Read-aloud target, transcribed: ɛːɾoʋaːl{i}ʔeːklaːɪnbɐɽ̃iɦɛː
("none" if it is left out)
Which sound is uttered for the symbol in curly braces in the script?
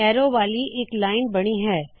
i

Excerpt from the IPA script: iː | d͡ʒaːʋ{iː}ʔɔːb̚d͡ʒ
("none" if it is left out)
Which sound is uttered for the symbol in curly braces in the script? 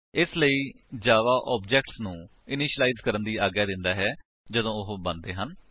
aː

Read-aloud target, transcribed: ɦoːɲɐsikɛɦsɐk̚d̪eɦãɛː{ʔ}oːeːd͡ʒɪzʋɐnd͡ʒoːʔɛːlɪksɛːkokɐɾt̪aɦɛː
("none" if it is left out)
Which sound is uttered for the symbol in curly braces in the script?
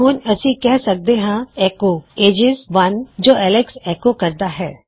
k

